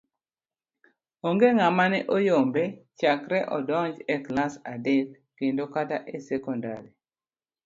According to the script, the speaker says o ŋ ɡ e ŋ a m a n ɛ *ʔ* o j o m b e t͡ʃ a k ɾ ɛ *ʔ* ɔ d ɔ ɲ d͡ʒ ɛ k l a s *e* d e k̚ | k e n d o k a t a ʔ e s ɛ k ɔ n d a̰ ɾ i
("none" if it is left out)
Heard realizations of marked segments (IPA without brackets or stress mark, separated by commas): ʔ, ʔ, a